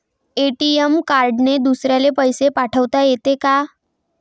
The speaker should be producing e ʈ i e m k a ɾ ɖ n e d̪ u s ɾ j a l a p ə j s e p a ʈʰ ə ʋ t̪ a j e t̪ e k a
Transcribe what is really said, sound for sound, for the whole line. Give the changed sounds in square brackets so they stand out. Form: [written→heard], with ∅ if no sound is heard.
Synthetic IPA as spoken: e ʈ i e m k a ɾ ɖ n e d̪ u s ɾ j a l [a→e] p ə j s e p a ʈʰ ə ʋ t̪ a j e t̪ e k a